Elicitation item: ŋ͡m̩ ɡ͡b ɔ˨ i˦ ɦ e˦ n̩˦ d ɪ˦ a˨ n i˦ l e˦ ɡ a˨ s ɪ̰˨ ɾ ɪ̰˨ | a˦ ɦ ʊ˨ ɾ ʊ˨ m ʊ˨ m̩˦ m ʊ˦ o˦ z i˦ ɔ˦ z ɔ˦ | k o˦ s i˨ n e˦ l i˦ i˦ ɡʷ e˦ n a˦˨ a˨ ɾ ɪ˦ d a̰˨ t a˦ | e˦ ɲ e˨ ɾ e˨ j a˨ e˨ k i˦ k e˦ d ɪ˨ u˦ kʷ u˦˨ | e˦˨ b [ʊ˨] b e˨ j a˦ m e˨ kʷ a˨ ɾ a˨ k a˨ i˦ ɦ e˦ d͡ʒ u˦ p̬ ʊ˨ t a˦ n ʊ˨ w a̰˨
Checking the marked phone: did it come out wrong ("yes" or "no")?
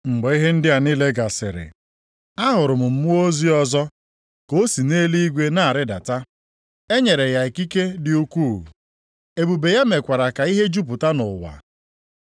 yes